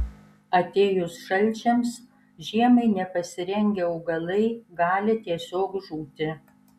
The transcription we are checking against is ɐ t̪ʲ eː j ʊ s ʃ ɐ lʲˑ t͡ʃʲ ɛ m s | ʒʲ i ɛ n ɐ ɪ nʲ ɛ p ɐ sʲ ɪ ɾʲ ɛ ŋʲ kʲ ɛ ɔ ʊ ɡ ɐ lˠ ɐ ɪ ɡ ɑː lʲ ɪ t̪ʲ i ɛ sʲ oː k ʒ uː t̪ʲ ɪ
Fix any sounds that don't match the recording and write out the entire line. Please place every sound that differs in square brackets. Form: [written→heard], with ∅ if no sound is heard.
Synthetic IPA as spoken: ɐ t̪ʲ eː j ʊ s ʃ ɐ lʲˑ t͡ʃʲ ɛ m s | ʒʲ i ɛ [n→m] ɐ ɪ nʲ ɛ p ɐ sʲ ɪ ɾʲ ɛ ŋʲ [kʲ→ɡʲ] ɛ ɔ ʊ ɡ ɐ lˠ ɐ ɪ ɡ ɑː lʲ ɪ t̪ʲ i ɛ sʲ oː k ʒ uː t̪ʲ ɪ